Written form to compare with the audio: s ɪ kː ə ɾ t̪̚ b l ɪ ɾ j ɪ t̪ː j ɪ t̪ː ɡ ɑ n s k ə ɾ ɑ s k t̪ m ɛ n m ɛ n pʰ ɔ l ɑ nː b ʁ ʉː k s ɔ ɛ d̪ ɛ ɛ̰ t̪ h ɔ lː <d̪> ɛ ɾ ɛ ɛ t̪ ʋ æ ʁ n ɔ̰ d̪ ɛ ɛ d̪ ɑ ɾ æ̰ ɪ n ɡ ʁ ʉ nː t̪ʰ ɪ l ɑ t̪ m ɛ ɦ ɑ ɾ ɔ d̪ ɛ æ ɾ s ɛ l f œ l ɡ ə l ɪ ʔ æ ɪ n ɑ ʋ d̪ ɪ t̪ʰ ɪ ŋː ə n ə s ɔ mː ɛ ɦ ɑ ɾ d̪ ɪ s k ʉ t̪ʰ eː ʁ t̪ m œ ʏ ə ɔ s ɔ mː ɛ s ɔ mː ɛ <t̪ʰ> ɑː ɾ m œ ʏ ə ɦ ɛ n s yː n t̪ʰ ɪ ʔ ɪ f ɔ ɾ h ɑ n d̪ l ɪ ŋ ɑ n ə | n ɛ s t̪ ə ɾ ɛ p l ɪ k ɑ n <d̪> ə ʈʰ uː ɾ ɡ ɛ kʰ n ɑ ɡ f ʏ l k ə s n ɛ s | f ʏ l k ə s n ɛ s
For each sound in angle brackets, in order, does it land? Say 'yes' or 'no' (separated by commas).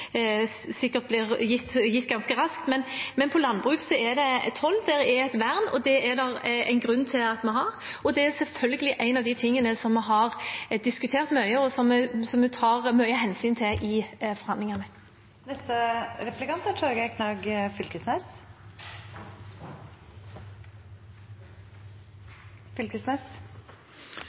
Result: yes, yes, no